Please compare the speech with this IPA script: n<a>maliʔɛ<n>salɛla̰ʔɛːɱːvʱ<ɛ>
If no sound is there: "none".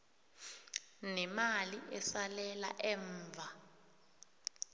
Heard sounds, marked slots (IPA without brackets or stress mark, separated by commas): ɛ, none, a